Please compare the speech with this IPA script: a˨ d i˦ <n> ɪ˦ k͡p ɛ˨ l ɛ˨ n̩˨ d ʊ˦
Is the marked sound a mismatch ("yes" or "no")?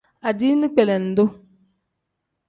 no